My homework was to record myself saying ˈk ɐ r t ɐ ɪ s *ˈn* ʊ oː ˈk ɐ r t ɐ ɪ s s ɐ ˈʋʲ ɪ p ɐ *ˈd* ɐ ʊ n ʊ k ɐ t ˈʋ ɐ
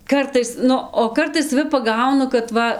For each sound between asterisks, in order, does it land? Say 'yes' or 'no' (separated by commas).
yes, no